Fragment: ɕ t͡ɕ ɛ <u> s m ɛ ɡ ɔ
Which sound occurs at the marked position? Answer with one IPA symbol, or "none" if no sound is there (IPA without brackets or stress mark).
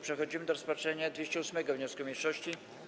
u